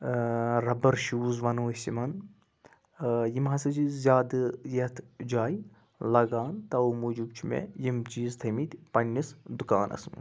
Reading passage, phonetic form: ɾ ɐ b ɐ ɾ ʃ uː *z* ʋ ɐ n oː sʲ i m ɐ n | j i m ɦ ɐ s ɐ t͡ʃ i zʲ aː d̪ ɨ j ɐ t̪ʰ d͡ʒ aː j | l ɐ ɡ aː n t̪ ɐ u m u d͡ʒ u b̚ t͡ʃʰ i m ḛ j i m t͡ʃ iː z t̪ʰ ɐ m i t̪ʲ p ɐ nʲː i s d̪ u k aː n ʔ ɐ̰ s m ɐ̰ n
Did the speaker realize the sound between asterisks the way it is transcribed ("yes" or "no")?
yes